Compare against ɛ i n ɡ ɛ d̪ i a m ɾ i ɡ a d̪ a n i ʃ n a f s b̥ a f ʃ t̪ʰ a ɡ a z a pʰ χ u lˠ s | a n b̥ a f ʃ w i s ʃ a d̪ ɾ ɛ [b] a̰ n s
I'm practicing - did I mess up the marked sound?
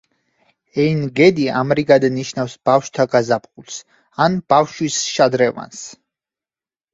yes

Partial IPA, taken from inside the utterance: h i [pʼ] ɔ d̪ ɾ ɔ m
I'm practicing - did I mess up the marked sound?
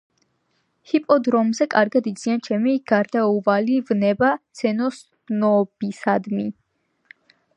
no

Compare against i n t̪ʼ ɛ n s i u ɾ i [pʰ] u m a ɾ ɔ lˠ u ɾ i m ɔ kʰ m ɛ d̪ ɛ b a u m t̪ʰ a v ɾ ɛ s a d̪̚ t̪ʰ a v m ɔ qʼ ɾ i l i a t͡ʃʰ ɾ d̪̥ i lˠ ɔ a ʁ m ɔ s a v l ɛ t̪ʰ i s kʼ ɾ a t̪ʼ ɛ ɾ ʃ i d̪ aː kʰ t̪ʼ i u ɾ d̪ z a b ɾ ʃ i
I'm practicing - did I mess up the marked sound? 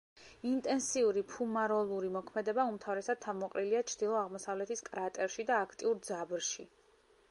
no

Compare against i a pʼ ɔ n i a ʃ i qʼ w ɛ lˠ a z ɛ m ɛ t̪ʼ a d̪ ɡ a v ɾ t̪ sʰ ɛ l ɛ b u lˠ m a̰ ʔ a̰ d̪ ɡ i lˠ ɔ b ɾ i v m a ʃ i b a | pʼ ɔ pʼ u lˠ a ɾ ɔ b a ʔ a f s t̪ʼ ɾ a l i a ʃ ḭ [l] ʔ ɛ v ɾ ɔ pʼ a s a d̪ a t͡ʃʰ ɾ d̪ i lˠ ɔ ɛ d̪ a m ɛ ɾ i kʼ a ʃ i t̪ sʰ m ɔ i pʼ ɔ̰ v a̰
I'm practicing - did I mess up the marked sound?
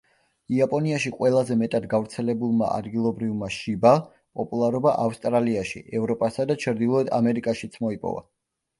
yes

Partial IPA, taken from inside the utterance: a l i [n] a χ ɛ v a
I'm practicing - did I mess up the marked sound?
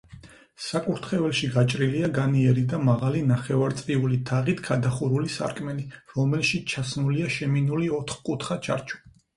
no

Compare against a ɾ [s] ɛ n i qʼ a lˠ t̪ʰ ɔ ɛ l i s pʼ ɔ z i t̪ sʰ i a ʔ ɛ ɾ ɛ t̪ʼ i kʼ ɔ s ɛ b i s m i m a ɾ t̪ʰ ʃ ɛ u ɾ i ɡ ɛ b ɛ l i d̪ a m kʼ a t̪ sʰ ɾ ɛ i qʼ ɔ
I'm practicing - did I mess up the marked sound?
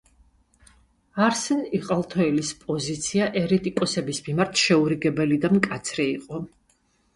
no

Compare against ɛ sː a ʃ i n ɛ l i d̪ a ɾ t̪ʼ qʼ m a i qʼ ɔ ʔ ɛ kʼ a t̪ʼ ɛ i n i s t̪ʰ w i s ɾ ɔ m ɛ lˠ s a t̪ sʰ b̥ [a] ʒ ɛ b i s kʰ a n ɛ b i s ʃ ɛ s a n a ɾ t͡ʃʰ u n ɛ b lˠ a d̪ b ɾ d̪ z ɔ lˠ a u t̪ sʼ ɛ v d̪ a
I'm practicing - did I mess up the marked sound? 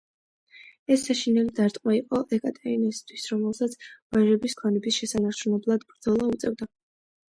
no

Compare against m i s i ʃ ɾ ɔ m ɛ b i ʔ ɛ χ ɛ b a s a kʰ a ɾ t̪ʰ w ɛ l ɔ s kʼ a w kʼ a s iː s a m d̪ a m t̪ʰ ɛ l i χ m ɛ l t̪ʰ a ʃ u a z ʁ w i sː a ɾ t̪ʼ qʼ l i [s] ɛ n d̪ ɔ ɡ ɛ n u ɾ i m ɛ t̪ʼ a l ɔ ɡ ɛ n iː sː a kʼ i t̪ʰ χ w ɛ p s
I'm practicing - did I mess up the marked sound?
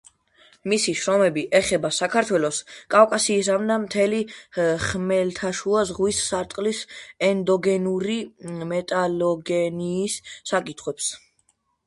no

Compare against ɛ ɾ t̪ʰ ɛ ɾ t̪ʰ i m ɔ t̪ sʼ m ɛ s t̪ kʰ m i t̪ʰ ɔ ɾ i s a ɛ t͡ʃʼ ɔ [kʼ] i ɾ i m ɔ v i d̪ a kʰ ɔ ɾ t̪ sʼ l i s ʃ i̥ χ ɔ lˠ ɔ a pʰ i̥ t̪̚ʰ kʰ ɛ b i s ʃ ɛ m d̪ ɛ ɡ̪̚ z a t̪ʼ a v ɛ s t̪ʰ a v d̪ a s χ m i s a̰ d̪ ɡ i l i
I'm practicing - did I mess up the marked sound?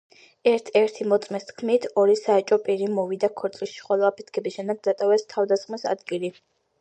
yes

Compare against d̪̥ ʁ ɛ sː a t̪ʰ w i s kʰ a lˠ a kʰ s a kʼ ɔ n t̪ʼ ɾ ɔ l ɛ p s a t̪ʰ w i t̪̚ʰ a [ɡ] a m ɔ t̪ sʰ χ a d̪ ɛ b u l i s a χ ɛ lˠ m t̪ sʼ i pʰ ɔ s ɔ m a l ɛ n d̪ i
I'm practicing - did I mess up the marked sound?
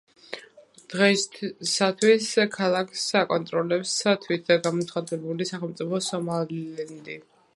no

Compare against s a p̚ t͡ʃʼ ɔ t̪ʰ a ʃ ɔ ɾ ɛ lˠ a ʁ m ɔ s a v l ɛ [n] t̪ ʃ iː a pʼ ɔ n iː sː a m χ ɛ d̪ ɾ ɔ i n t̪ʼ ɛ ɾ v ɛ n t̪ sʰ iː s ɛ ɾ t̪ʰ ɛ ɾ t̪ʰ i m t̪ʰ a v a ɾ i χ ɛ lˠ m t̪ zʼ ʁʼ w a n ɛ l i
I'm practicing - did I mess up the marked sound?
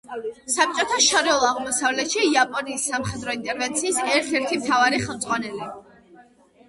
yes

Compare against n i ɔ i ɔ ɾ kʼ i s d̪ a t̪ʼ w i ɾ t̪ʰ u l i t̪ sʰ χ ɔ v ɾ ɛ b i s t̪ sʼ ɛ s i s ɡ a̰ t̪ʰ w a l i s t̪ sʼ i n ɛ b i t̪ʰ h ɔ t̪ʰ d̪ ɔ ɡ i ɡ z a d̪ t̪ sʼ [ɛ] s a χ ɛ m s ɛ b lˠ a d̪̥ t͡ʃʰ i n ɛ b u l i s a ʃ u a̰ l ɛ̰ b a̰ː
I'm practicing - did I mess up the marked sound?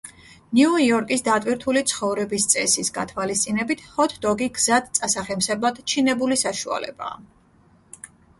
yes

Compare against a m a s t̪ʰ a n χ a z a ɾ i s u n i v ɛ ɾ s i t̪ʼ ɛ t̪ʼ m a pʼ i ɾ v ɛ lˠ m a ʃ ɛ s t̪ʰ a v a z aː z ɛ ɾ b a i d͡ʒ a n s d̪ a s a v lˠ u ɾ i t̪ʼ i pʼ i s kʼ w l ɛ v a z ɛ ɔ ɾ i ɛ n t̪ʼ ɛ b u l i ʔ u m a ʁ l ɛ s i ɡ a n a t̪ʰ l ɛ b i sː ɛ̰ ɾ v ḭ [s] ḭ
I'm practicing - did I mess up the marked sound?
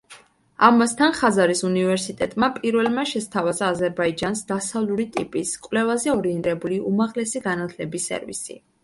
no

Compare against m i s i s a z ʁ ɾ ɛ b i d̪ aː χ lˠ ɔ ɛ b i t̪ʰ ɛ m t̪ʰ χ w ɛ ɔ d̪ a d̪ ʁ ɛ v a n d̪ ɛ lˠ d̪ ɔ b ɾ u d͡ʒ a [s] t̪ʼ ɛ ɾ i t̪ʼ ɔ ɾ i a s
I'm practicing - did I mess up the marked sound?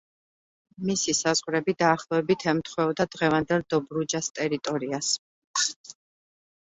no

